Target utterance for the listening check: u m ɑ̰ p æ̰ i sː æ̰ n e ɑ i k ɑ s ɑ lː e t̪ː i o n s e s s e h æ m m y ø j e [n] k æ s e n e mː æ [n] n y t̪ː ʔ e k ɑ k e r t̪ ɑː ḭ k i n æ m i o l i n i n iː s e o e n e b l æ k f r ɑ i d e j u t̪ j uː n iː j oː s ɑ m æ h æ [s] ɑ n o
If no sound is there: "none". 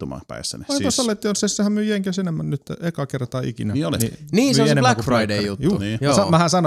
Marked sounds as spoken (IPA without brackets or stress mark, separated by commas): ŋ, n, s